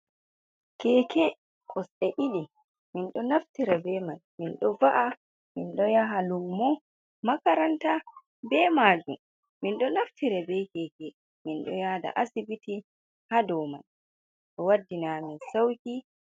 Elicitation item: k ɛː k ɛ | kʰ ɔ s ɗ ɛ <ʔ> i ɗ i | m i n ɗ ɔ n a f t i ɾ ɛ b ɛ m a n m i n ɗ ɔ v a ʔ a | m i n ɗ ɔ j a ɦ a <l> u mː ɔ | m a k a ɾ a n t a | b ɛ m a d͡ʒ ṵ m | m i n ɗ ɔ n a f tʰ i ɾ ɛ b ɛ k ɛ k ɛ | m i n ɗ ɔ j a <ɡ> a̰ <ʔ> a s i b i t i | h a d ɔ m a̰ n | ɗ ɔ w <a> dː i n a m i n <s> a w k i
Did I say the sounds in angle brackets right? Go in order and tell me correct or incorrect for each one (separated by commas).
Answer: correct, correct, incorrect, correct, correct, correct